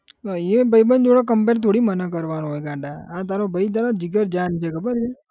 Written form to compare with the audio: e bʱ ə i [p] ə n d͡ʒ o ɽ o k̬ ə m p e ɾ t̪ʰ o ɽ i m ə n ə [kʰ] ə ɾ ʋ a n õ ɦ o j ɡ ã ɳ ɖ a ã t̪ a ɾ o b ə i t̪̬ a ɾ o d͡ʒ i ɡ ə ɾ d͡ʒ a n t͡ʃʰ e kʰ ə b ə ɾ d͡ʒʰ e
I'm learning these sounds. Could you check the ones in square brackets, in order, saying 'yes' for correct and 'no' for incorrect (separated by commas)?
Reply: no, no